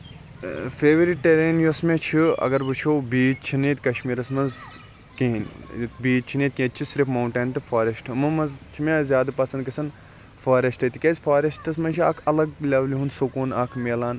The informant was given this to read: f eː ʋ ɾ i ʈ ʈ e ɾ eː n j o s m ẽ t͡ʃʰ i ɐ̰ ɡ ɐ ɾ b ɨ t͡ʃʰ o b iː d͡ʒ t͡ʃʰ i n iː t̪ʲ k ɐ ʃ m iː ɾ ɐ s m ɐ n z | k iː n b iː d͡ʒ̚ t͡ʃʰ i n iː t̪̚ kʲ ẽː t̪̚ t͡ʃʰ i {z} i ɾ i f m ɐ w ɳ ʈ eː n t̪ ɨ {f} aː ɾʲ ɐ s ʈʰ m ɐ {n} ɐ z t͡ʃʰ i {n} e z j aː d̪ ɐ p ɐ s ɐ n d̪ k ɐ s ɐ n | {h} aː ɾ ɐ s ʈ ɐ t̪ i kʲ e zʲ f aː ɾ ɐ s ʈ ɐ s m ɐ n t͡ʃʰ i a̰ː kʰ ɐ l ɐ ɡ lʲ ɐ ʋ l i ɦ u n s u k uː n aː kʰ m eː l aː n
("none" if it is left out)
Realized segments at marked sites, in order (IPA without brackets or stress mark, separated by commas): s, f, m, m, f